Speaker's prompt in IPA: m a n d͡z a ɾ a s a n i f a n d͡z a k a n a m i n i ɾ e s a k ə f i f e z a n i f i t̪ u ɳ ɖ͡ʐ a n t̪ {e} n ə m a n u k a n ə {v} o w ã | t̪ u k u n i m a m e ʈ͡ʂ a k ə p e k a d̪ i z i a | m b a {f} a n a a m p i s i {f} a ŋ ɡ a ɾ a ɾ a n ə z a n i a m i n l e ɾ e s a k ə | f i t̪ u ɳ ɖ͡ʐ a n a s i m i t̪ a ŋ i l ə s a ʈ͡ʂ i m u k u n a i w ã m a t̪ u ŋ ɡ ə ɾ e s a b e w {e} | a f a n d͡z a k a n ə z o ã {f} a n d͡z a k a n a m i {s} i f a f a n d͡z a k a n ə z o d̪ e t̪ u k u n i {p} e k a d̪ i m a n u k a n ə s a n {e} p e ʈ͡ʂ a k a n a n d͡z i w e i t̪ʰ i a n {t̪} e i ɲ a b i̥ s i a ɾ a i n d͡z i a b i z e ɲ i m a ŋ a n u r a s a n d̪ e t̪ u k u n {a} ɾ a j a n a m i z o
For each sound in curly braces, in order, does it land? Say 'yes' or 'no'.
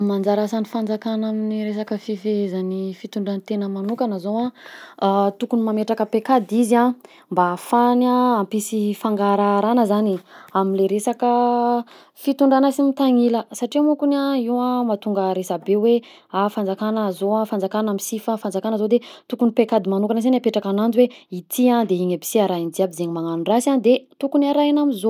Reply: yes, no, yes, yes, yes, yes, yes, yes, no, no, yes

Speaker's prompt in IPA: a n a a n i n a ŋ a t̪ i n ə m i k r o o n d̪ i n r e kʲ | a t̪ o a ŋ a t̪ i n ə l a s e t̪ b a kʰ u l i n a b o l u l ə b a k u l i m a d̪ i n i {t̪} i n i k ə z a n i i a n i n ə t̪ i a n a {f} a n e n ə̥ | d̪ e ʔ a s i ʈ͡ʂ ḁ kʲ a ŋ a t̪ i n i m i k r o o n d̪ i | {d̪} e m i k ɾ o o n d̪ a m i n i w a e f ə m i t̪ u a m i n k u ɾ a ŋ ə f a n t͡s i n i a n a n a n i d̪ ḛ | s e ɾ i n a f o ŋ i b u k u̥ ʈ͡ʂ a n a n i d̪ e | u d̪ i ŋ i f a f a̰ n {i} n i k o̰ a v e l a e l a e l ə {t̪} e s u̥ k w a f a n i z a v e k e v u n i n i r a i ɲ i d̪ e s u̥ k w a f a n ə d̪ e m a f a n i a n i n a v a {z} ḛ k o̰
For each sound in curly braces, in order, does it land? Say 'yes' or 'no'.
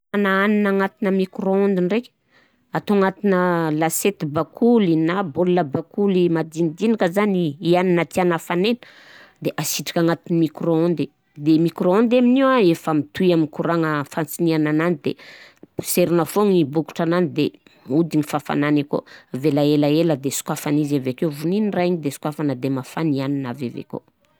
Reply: no, yes, yes, no, no, no

